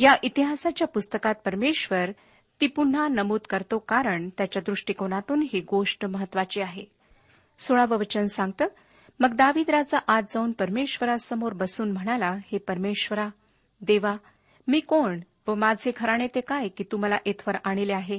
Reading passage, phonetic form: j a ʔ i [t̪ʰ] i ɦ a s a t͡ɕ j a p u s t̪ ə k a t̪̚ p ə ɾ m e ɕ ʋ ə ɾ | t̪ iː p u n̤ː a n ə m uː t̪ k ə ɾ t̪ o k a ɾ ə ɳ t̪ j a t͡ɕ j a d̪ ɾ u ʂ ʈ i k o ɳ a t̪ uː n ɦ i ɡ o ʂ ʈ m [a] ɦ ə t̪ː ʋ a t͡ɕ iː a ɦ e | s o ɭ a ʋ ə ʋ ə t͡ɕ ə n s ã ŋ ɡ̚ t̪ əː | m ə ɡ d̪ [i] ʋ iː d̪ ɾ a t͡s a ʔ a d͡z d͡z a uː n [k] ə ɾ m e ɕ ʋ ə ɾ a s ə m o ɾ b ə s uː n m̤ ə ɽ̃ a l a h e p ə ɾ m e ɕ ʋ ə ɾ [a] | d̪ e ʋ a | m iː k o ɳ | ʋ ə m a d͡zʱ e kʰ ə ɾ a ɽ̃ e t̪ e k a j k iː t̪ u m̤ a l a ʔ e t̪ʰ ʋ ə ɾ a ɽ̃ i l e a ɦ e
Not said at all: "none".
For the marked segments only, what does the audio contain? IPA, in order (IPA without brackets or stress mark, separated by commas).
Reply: t̪, ə, a, p, a